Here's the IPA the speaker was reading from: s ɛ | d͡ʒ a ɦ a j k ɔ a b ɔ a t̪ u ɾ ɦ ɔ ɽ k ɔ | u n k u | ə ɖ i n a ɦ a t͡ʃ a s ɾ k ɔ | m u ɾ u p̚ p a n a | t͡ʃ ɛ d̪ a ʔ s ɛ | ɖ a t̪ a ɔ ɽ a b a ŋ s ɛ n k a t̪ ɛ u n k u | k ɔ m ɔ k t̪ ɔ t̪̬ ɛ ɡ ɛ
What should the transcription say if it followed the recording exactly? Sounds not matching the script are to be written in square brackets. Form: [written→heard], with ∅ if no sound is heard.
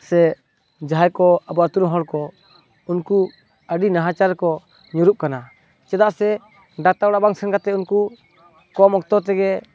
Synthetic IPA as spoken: s ɛ | d͡ʒ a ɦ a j k ɔ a b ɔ a t̪ u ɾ ɦ ɔ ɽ k ɔ | u n k u | ə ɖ i n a ɦ a t͡ʃ a [s→∅] ɾ k ɔ | [m→ɲ] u ɾ u p̚ [p→k] a n a | t͡ʃ ɛ d̪ a ʔ s ɛ | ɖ a t̪ a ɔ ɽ a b a ŋ s ɛ n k a t̪ ɛ u n k u | k ɔ m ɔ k t̪ ɔ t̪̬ ɛ ɡ ɛ